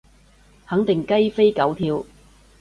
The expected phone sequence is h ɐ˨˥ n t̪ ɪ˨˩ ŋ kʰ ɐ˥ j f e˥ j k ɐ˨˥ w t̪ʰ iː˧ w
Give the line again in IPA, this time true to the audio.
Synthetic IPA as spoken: h ɐ˨˥ ŋ t̪ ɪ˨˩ ŋ k ɐ˥ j f e˥ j k ɐ˨˥ w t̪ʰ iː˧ w